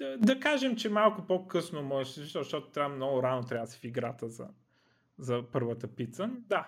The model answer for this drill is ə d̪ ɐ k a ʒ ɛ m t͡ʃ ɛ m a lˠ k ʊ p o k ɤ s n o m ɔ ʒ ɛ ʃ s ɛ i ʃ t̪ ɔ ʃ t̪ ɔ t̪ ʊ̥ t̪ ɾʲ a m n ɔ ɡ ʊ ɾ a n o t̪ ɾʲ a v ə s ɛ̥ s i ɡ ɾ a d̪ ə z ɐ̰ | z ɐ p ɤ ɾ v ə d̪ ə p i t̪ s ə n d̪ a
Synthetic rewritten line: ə d̪ ɐ k a ʒ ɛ m t͡ʃ ɛ m a lˠ k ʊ p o k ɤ s n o m ɔ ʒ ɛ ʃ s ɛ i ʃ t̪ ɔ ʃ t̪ ɔ t̪ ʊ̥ t̪ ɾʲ a m n ɔ ɡ ʊ ɾ a n o t̪ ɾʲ a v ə s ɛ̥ f i ɡ ɾ a t̪ ə z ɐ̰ | z ɐ p ɤ ɾ v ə t̪ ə p i t̪ s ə n d̪ a